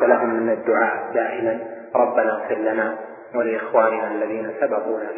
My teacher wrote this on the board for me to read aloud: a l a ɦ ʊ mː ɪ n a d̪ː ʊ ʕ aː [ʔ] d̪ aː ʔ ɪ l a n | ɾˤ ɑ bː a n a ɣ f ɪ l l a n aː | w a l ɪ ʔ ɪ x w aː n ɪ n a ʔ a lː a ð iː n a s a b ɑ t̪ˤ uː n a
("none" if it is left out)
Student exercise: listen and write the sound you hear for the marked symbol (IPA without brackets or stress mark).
ʔ